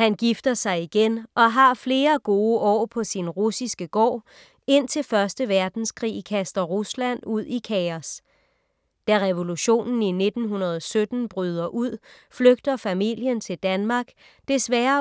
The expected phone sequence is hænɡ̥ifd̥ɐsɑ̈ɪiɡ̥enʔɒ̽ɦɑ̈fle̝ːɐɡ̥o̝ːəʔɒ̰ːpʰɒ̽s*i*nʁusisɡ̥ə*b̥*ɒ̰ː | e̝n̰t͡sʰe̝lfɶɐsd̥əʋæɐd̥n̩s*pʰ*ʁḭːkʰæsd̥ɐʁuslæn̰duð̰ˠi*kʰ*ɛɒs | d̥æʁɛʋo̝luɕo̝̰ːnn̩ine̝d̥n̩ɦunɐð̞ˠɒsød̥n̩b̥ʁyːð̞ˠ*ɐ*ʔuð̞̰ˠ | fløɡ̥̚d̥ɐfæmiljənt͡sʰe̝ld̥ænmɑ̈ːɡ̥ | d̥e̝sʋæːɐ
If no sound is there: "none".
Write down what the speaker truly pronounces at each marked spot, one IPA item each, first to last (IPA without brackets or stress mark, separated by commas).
i, ɡ̥, kʰ, kʰ, ɐ